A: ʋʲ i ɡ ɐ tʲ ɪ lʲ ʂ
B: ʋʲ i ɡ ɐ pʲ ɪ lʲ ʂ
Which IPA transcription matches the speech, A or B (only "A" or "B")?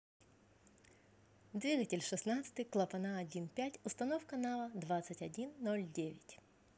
A